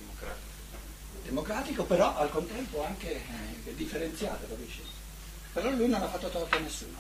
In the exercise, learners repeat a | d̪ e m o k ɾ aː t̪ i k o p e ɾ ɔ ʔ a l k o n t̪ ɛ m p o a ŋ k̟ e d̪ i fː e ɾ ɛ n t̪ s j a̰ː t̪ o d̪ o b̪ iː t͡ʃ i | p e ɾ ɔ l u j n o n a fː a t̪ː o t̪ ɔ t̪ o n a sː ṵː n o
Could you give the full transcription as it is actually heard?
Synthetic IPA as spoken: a | d̪ e m o k ɾ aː t̪ i k o p e ɾ ɔ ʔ a l k o n t̪ ɛ m p o a ŋ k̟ e d̪ i fː e ɾ e n t̪ s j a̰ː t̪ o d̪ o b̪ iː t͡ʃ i | p e ɾ ɔ l u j n o n a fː a t̪ː o t̪ ɔ t̪ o n e sː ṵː n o